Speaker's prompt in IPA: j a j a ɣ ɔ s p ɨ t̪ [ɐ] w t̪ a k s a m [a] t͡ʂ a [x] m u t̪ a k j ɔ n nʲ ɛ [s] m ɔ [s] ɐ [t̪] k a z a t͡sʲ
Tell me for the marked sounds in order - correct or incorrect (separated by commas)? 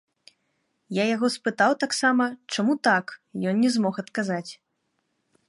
incorrect, incorrect, incorrect, incorrect, incorrect, correct